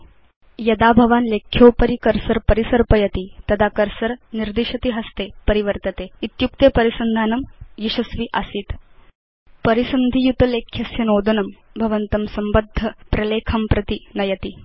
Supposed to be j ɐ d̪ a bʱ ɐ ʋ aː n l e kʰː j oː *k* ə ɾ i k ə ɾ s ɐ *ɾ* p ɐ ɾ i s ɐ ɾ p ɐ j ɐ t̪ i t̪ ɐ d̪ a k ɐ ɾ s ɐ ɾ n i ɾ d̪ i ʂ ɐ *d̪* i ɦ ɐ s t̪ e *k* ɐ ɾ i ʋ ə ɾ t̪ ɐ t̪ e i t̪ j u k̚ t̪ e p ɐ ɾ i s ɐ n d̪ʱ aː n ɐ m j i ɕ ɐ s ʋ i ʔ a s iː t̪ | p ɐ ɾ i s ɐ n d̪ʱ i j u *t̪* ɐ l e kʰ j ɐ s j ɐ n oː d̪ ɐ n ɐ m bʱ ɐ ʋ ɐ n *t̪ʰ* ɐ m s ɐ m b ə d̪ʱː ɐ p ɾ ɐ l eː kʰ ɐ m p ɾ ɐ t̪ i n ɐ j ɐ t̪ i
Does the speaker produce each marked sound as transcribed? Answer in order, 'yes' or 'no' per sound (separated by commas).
no, yes, no, no, yes, no